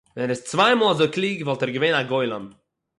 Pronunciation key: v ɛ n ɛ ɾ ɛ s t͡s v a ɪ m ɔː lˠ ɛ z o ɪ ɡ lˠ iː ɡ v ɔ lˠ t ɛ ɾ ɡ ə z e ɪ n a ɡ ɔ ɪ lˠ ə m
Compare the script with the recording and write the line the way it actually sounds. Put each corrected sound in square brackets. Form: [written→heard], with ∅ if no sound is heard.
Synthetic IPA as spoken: v ɛ n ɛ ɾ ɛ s t͡s v a ɪ m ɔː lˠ [ɛ→a] z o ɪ [ɡ→k] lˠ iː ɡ v ɔ lˠ t ɛ ɾ ɡ ə [z→v] e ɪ n a ɡ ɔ ɪ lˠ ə m